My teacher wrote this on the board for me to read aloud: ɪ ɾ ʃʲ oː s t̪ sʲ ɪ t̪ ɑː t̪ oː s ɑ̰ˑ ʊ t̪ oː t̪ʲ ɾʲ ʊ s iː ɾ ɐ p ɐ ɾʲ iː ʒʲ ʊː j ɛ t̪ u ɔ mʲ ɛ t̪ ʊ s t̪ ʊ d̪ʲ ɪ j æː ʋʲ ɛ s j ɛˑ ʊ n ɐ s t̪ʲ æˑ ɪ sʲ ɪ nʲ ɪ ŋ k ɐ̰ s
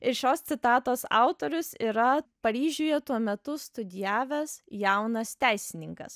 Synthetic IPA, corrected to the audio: ɪ ɾ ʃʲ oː s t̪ sʲ ɪ t̪ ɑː t̪ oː s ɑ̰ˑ ʊ t̪ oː ɾʲ ʊ s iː ɾ ɐ p ɐ ɾʲ iː ʒʲ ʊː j ɛ t̪ u ɔ mʲ ɛ t̪ ʊ s t̪ ʊ d̪ʲ ɪ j æː ʋʲ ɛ s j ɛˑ ʊ n ɐ s t̪ʲ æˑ ɪ sʲ ɪ nʲ ɪ ŋ k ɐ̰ s